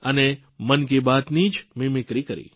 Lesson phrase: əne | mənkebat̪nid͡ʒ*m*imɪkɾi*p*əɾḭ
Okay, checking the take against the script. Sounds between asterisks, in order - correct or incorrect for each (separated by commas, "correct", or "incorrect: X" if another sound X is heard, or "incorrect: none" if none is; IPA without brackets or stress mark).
correct, incorrect: k